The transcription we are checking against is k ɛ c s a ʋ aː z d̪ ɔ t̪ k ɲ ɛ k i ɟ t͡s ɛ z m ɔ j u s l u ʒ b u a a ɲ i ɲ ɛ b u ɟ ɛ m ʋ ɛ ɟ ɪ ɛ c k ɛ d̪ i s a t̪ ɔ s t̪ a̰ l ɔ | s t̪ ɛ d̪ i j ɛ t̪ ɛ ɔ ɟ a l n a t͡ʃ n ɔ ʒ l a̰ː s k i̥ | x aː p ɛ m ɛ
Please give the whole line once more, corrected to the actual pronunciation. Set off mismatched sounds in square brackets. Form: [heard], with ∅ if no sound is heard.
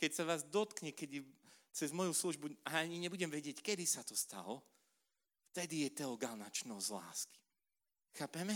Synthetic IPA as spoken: k ɛ c s a ʋ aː z d̪ ɔ t̪ k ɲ ɛ k [ɛ] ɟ t͡s ɛ z m ɔ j u s l u ʒ b u a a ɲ i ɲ ɛ b u ɟ ɛ m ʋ ɛ ɟ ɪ ɛ c k ɛ d̪ i s a t̪ ɔ s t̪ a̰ l ɔ | [f] t̪ ɛ d̪ i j ɛ t̪ ɛ ɔ [ɡ] a l n a t͡ʃ n ɔ [z] l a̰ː s k i̥ | x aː p ɛ m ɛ